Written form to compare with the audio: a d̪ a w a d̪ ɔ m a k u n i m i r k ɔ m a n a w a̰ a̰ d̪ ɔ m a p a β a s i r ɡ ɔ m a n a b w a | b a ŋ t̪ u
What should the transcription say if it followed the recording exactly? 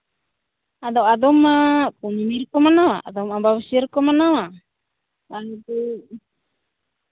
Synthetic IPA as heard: a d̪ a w a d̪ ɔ m a k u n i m i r k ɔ m a n a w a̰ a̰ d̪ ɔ m a b a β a s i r k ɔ m a n a w a | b a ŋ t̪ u

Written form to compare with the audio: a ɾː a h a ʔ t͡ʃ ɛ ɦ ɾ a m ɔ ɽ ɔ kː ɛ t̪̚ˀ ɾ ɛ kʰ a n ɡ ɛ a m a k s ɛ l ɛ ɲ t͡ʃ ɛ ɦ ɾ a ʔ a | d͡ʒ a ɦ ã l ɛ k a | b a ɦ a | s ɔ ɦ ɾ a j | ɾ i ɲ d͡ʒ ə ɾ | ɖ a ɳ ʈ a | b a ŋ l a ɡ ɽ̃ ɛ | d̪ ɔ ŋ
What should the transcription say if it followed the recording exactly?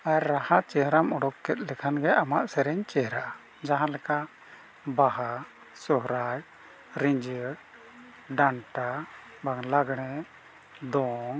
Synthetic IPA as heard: a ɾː a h a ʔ t͡ʃ ɛ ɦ ɾ a m ɔ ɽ ɔ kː ɛ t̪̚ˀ l ɛ kʰ a n ɡ ɛ a m a ʔ s ɛ ɾ ɛ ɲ t͡ʃ ɛ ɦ ɾ a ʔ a | d͡ʒ a ɦ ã l ɛ k a | b a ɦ a | s ɔ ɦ ɾ a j | ɾ i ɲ d͡ʒ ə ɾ | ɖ a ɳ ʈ a | b a ŋ l a ɡ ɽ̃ ɛ | d̪ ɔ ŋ

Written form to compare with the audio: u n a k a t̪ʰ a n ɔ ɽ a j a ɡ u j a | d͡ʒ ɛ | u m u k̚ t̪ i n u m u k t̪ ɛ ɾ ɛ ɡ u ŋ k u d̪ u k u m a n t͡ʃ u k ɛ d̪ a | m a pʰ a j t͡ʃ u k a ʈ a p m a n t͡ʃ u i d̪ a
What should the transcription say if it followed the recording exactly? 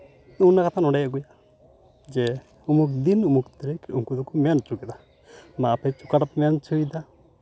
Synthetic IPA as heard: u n a k a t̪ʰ a n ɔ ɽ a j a ɡ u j a | d͡ʒ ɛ | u m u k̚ d̪ i n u m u k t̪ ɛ ɾ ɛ k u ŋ k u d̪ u k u m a n t͡ʃ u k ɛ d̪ a | m a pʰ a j t͡ʃ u k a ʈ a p m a n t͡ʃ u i d̪ a

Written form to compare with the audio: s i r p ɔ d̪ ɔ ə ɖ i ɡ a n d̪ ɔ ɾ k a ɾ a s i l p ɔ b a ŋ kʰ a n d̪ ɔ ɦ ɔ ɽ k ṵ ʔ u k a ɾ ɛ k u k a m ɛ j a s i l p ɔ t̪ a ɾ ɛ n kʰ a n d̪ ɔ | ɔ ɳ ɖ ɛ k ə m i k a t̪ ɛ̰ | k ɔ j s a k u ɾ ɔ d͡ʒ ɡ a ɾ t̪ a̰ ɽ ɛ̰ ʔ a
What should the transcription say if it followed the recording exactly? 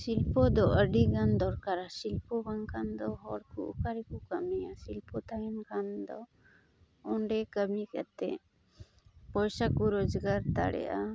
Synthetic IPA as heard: s i l p ɔ d̪ ɔ ə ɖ i ɡ a n d̪ ɔ ɾ k a ɾ a s i l p ɔ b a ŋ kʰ a n d̪ ɔ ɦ ɔ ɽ k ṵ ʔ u k a ɾ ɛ k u k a m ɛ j a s i l p ɔ t̪ a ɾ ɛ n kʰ a n d̪ ɔ | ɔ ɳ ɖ ɛ k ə m i k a t̪ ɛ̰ | p ɔ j s a k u ɾ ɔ d͡ʒ ɡ a ɾ t̪ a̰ ɽ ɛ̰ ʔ a

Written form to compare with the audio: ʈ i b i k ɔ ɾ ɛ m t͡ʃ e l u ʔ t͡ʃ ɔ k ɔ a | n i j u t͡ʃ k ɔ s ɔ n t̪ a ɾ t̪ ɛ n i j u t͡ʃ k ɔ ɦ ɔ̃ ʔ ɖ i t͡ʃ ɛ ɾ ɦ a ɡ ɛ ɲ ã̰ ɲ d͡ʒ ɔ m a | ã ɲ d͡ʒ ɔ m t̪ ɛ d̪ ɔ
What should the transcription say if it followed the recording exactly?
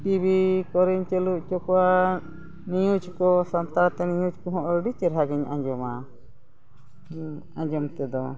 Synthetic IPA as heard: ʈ i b i k ɔ ɾ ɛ ɲ t͡ʃ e l u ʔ t͡ʃ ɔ k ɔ a | n i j u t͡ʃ k ɔ s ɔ n t̪ a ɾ t̪ ɛ n i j u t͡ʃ k ɔ ɦ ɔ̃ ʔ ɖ i t͡ʃ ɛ ɾ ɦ a ɡ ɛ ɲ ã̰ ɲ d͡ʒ ɔ m a | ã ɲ d͡ʒ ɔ m t̪ ɛ d̪ ɔ

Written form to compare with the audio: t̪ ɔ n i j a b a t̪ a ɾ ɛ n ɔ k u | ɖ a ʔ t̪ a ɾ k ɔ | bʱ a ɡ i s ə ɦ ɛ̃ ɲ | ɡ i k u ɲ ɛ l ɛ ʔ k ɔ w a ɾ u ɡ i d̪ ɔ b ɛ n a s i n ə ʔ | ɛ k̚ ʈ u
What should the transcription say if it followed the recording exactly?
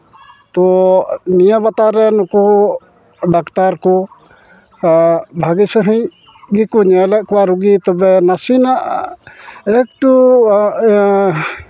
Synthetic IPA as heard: t̪ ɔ n i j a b a t̪ a ɾ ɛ n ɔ k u | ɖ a k t̪ a ɾ k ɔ | bʱ a ɡ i s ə ɦ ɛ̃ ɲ | ɡ i k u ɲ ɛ l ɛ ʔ k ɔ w a ɾ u ɡ i t̪ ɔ b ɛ n a s i n a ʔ | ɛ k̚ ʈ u

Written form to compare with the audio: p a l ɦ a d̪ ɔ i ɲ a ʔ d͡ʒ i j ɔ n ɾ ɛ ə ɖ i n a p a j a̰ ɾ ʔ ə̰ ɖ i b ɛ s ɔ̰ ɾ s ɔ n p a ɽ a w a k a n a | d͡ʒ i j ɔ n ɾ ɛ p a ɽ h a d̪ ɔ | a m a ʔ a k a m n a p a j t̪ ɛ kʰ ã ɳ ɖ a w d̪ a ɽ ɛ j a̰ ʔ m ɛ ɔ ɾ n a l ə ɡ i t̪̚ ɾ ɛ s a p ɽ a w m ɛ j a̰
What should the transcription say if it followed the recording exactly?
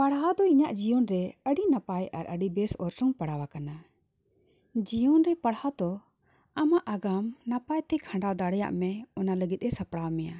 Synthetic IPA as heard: p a ɽ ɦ a d̪ ɔ i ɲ a ʔ d͡ʒ i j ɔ n ɾ ɛ ə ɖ i n a p a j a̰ ɾ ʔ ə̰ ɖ i b ɛ s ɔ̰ ɾ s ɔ ŋ p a ɽ a w a k a n a | d͡ʒ i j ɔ n ɾ ɛ p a ɽ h a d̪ ɔ | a m a ʔ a ɡ a m n a p a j t̪ ɛ kʰ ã ɳ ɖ a w d̪ a ɽ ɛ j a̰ ʔ m ɛ ɔ n a l ə ɡ i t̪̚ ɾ ɛ s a p ɽ a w m ɛ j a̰

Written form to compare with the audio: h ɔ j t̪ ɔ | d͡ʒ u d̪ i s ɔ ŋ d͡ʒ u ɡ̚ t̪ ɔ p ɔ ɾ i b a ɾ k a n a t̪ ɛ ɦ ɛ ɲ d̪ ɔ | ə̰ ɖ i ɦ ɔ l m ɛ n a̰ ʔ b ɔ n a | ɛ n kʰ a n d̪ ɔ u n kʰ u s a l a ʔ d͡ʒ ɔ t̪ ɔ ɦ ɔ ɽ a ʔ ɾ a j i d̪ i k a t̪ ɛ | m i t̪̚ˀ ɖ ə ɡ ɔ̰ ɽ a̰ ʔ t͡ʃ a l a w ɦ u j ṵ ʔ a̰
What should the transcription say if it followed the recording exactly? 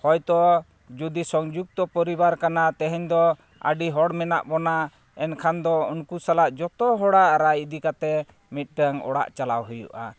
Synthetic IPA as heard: h ɔ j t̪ ɔ | d͡ʒ u d̪ i s ɔ ŋ d͡ʒ u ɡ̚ t̪ ɔ p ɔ ɾ i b a ɾ k a n a t̪ ɛ ɦ ɛ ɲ d̪ ɔ | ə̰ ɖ i ɦ ɔ ɽ m ɛ n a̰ ʔ b ɔ n a | ɛ n kʰ a n d̪ ɔ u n k u s a l a ʔ d͡ʒ ɔ t̪ ɔ ɦ ɔ ɽ a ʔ ɾ a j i d̪ i k a t̪ ɛ | m i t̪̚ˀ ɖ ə ŋ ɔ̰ ɽ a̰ ʔ t͡ʃ a l a w ɦ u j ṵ ʔ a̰

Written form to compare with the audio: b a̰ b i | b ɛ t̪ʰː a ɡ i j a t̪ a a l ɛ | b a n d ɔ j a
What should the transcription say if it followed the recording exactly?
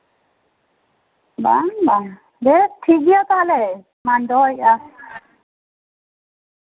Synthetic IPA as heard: b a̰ b a | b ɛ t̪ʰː i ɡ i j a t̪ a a l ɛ | m a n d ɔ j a

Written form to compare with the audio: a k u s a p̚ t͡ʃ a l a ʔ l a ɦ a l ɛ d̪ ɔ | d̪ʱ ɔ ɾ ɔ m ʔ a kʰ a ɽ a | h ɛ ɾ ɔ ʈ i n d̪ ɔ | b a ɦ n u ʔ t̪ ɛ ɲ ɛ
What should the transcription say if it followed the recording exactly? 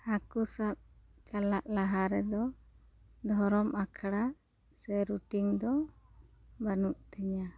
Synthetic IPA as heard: a k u s a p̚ t͡ʃ a l a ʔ l a ɦ a ɾ ɛ d̪ ɔ | d̪ʱ ɔ ɾ ɔ m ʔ a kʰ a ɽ a | s ɛ ɾ u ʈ i ŋ d̪ ɔ | b a n u ʔ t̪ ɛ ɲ a

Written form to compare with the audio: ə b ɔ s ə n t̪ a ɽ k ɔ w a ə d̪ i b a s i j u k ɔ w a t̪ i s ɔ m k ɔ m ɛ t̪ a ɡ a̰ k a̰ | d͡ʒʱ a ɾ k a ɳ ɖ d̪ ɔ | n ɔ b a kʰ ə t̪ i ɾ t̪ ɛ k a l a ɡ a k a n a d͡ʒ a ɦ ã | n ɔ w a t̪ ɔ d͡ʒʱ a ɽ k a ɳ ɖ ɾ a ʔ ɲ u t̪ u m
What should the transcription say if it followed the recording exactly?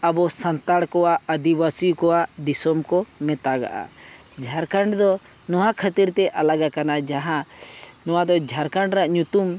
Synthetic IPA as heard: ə b ɔ s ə n t̪ a ɽ k ɔ w a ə d̪ i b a s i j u k ɔ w a d̪ i s ɔ m k ɔ m ɛ t̪ a ɡ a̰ ʔ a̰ | d͡ʒʱ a ɾ k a ɳ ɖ d̪ ɔ | n ɔ w a kʰ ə t̪ i ɾ t̪ ɛ ʔ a l a ɡ a k a n a d͡ʒ a ɦ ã | n ɔ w a d̪ ɔ d͡ʒʱ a ɾ k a ɳ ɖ ɾ a ʔ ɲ u t̪ u m

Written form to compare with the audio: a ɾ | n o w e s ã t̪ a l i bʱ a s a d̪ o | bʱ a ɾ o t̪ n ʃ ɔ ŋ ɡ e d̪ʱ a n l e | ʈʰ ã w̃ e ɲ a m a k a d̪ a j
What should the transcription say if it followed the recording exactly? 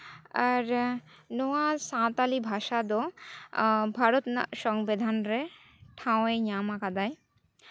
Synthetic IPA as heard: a ɾ | n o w a s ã t̪ a l i bʱ a ʃ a d̪ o | bʱ a ɾ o t̪ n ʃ ɔ ŋ b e d̪ʱ a n ɾ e | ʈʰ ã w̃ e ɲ a m a k a d̪ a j

